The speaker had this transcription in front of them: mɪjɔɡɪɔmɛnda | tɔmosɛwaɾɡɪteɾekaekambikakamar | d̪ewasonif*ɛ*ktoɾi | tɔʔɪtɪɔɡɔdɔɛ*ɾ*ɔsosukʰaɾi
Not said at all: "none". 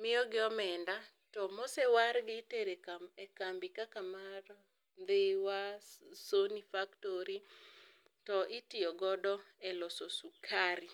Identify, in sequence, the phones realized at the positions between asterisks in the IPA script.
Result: a, l

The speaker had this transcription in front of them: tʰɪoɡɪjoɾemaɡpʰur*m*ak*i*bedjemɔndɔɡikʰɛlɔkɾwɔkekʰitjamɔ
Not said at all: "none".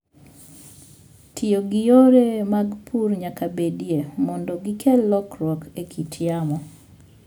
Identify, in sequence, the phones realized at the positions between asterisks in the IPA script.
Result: ɲ, a

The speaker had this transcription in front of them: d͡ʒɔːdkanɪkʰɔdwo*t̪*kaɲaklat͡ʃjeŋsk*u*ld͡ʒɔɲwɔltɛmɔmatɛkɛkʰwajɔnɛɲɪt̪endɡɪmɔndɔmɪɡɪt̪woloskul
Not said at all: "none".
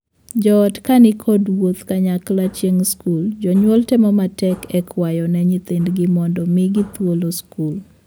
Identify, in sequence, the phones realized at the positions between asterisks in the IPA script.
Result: t̪, u

